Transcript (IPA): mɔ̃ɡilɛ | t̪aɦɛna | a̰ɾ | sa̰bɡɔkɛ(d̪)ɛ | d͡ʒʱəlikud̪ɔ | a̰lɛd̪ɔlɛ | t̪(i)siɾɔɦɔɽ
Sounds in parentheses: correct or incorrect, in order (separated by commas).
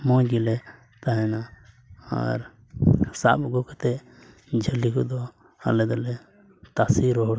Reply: incorrect, incorrect